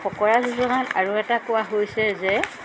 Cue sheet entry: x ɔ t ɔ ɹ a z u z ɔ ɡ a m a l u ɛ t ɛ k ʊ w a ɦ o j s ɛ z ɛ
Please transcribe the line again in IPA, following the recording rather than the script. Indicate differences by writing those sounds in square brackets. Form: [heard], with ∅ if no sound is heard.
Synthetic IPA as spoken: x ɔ [k] ɔ ɹ a z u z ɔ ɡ a [n] a [ɹ] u ɛ t [a] k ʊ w a ɦ o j s ɛ z ɛ